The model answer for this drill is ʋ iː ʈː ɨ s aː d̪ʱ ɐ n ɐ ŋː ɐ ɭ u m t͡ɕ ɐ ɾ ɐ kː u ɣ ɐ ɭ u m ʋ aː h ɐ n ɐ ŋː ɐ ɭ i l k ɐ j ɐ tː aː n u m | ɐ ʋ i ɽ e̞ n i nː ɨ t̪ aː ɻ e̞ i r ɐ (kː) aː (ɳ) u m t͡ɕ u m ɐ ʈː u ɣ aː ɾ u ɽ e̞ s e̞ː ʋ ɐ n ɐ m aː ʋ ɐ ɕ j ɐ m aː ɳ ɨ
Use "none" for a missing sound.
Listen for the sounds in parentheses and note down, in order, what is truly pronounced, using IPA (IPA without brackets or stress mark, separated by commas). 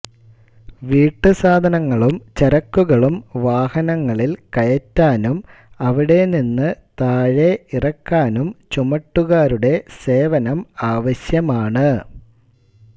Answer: kː, n